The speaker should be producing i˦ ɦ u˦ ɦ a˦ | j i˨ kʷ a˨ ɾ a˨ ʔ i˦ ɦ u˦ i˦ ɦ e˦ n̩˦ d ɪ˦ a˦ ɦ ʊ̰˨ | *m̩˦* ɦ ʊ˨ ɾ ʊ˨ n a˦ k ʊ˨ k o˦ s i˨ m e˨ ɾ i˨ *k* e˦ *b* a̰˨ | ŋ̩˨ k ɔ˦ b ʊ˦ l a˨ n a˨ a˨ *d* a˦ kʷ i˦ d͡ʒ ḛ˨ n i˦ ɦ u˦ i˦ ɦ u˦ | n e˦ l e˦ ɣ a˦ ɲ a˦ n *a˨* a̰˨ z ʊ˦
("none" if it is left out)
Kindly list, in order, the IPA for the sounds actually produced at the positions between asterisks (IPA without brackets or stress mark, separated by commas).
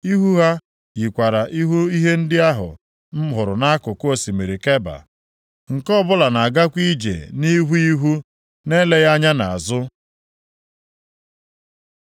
m̩˦, k, b, ɡ, a˨